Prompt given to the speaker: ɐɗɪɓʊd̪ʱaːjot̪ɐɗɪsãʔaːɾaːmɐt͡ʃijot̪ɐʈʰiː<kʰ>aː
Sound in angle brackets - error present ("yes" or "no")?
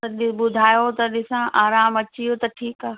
yes